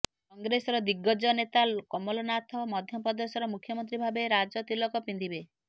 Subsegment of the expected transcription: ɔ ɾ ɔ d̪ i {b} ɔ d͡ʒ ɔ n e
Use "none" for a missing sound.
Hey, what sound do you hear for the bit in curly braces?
ɡ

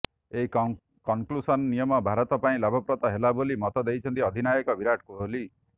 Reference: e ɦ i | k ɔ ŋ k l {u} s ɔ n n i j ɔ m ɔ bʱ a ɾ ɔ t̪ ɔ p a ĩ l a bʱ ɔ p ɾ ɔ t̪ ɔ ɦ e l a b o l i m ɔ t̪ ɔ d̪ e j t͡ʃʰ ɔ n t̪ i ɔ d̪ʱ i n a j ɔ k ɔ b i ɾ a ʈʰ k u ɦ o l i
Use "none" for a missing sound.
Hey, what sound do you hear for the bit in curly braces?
u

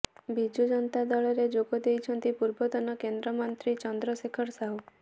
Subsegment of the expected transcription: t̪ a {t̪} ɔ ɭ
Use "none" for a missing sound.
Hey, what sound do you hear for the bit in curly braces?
d̪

